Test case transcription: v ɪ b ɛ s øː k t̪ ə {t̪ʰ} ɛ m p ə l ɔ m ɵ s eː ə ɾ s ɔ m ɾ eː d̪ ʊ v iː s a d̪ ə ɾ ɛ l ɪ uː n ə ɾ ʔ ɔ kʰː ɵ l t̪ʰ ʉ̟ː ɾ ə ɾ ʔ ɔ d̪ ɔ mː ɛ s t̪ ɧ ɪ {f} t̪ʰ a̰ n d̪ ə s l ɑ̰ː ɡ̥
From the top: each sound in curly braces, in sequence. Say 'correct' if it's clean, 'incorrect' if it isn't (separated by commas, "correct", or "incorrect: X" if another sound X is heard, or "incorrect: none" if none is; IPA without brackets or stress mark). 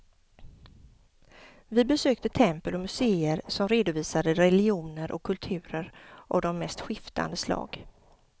correct, correct